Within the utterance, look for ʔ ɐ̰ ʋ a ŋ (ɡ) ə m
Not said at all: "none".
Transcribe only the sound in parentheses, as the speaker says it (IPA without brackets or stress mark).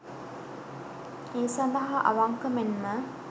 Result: k